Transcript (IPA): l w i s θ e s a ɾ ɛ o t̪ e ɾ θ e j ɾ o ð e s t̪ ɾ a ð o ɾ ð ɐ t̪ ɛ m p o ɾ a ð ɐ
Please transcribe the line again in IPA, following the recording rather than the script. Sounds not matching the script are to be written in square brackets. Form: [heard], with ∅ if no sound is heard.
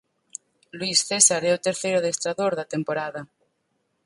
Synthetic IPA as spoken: l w i s θ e s a ɾ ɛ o t̪ e ɾ θ e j ɾ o ð e s t̪ ɾ a ð o ɾ ð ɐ t̪ [e] m p o ɾ a ð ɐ